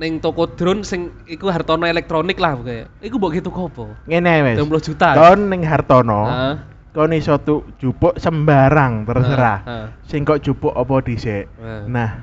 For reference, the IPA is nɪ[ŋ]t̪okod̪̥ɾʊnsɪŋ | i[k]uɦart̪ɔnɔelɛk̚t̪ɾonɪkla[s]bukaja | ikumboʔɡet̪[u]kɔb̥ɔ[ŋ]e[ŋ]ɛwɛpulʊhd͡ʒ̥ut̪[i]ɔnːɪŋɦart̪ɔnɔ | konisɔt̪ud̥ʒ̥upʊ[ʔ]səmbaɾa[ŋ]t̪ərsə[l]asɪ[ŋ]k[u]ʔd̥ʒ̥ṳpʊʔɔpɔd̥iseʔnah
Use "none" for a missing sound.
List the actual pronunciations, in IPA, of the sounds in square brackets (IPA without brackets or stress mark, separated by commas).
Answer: ŋ, k, h, u, ŋ, n, a, ʔ, ŋ, ɾ, ŋ, ɔ